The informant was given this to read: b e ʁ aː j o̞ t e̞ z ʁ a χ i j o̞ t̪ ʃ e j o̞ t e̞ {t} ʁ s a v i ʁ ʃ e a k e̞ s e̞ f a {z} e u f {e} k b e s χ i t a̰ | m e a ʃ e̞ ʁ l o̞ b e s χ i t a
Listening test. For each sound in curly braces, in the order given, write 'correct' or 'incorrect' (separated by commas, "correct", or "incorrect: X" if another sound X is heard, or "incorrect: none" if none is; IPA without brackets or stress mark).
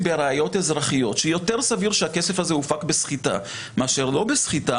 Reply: incorrect: none, correct, incorrect: a